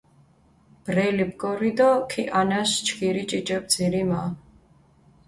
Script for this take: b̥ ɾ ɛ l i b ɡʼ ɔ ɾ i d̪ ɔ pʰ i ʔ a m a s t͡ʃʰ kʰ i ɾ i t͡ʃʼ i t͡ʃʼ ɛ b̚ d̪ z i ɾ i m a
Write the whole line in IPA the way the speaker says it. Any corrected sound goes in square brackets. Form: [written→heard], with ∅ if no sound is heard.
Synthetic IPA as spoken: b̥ ɾ ɛ l i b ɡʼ ɔ ɾ i d̪ ɔ [pʰ→kʰ] i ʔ a [m→n] a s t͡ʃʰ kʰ i ɾ i t͡ʃʼ i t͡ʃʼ ɛ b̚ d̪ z i ɾ i m a

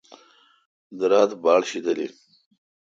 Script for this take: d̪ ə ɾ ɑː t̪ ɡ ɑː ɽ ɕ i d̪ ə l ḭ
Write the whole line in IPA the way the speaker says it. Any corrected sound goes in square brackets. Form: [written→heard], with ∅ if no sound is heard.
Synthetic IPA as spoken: d̪ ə ɾ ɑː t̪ [ɡ→b] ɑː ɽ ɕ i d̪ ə l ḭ

